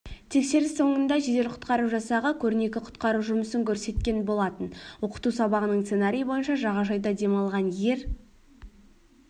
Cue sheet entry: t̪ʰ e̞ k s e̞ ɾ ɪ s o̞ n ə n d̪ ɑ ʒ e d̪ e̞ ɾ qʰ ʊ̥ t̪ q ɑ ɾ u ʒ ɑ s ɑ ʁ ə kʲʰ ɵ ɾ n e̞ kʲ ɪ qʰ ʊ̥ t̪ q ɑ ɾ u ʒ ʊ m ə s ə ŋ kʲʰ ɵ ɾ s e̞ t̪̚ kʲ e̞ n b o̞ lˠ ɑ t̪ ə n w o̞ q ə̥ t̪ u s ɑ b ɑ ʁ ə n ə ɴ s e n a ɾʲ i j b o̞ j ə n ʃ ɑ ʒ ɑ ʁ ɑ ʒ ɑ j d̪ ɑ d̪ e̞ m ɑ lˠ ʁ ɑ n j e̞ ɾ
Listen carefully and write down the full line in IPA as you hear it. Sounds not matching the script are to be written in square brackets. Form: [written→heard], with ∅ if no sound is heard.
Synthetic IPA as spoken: t̪ʰ e̞ k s e̞ ɾ ɪ s o̞ [n→ɴ] ə n d̪ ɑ ʒ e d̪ e̞ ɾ qʰ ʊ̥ t̪ q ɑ ɾ u ʒ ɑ s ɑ ʁ ə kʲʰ ɵ ɾ n e̞ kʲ ɪ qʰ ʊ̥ t̪ q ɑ ɾ u ʒ ʊ m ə s ə ŋ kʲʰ ɵ ɾ s e̞ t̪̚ kʲ e̞ n b o̞ lˠ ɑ t̪ ə n w o̞ q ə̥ t̪ u s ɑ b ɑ ʁ ə n ə ɴ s e n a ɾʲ i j b o̞ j ə n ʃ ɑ ʒ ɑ ʁ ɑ ʒ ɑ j d̪ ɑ d̪ e̞ m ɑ lˠ ʁ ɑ n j e̞ ɾ